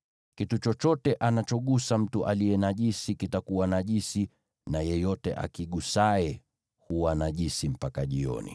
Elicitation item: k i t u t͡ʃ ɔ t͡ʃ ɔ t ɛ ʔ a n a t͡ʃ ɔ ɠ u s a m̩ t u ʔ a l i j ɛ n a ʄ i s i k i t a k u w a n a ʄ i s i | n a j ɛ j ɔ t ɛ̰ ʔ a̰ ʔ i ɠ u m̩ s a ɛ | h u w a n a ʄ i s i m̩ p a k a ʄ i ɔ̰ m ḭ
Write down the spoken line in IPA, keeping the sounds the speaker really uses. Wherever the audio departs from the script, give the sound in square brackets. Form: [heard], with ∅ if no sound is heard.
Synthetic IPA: k i t u t͡ʃ ɔ t͡ʃ ɔ t ɛ ʔ a n a t͡ʃ ɔ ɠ u s a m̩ t u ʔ a l i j ɛ n a ʄ i s i k i t a k u w a n a ʄ i s i | n a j ɛ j ɔ t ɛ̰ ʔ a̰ [k] i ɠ u [∅] s a ɛ | h u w a n a ʄ i s i m̩ p a k a ʄ i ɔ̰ [n] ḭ